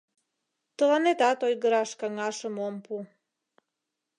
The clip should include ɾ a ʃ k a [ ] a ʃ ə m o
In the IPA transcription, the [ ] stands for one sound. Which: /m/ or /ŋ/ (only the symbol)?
ŋ